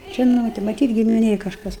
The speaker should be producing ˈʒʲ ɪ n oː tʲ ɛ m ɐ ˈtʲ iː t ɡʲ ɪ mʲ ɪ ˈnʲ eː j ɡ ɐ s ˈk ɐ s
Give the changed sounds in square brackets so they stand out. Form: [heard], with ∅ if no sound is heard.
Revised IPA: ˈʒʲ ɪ n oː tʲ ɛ m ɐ ˈtʲ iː t ɡʲ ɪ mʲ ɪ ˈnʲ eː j [k] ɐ [ʃ] ˈk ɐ s